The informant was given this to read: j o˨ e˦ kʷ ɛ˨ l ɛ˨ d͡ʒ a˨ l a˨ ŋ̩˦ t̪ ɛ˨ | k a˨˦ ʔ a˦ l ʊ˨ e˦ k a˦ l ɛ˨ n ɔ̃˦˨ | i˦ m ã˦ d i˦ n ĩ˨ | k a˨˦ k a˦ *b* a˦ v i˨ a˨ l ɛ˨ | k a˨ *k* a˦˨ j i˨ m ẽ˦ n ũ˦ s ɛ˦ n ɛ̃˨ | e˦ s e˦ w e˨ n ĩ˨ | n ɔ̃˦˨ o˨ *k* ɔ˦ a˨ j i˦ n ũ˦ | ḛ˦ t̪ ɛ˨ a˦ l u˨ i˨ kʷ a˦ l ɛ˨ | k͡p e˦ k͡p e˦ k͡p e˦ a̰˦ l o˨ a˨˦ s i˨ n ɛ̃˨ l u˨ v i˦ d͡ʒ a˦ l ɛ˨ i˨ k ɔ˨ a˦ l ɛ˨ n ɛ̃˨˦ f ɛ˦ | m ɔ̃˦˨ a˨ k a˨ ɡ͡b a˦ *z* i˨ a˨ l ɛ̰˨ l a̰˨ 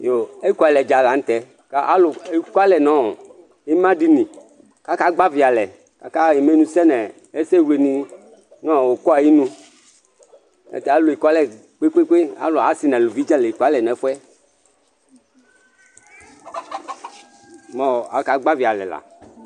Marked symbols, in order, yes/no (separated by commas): no, yes, yes, no